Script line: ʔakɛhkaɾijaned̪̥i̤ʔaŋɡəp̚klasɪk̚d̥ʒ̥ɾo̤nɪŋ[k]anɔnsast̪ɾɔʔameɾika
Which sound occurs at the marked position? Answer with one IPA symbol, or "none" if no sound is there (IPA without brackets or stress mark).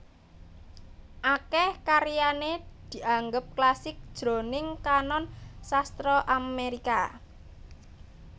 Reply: k